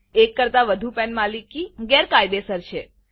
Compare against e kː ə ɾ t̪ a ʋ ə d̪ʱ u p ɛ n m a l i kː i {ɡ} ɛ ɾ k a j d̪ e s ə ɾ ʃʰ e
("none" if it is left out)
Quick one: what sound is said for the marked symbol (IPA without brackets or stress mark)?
ɡ